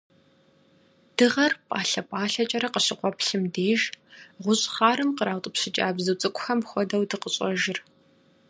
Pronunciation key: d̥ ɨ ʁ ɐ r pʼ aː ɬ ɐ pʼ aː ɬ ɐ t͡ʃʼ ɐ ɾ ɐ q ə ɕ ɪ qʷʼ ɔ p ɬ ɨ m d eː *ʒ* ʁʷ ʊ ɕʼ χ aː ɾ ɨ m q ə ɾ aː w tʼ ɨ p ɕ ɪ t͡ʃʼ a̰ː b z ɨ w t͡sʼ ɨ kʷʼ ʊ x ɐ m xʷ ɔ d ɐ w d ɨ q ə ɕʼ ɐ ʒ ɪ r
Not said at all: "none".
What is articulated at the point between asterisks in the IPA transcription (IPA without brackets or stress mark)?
ʒ